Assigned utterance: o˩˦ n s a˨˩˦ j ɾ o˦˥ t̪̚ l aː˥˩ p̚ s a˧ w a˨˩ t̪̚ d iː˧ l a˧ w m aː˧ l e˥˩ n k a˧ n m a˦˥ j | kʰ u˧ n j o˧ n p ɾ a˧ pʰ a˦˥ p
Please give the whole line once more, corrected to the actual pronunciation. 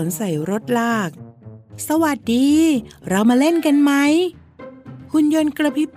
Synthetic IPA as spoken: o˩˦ n s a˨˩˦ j ɾ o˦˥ t̪̚ l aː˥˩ k̚ s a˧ w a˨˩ t̪̚ d iː˧ ɾ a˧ w m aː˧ l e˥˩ n k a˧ n m a˦˥ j | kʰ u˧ n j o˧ n k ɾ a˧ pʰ i˦˥ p